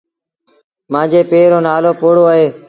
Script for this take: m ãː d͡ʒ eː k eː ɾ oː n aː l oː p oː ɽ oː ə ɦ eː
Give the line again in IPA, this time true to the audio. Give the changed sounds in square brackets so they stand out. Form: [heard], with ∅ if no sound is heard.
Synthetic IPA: m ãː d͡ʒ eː [p] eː ɾ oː n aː l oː p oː ɽ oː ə ɦ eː